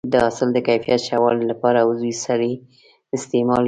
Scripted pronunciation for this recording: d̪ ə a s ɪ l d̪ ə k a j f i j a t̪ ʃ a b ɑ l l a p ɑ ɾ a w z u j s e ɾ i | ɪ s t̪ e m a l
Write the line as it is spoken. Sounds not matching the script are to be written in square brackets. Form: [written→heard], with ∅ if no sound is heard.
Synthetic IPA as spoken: d̪ ə a s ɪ l d̪ ə k a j f i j a t̪ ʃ a [b→w] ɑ l l a p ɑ ɾ a w z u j s [e→a] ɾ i | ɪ s t̪ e m [a→ɑ] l